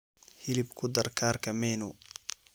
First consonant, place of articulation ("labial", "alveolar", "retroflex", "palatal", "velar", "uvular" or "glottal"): glottal